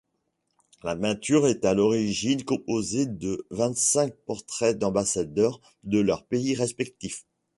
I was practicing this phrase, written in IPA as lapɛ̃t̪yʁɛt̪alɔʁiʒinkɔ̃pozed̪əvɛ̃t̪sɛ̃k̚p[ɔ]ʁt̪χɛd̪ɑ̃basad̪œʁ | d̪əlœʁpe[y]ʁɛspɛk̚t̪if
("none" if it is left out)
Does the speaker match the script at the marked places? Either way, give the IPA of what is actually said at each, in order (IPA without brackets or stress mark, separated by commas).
ɔ, i